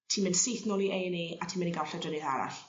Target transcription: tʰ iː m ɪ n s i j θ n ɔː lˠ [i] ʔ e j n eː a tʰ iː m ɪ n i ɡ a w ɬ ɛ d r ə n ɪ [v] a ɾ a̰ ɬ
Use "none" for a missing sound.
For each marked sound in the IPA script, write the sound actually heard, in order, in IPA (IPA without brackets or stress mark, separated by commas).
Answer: i, ð